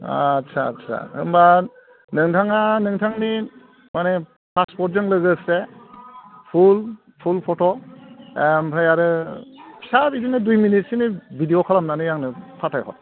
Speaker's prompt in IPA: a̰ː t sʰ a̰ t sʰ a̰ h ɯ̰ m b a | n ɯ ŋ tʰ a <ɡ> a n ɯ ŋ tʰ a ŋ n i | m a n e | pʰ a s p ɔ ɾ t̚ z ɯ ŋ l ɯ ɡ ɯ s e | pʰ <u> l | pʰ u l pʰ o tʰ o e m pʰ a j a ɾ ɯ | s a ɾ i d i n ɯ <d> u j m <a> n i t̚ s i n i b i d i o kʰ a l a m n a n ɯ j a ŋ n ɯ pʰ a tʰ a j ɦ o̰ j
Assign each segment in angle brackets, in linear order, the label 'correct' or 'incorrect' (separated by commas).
incorrect, correct, correct, incorrect